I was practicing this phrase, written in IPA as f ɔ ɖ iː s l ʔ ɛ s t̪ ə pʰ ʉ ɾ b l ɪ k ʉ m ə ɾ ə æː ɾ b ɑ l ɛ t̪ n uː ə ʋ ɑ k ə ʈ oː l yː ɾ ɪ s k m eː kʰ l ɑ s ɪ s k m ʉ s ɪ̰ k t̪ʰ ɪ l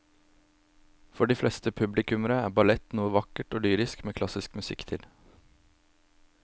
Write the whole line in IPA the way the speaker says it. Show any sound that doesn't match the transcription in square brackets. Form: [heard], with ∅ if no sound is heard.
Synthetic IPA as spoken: f ɔ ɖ iː [f] l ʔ ɛ s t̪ ə pʰ ʉ [∅] b l ɪ k ʉ m ə ɾ ə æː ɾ b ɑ l ɛ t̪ n uː ə ʋ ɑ k ə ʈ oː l yː ɾ ɪ s k m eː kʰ l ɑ s ɪ s k m ʉ s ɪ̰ k t̪ʰ ɪ l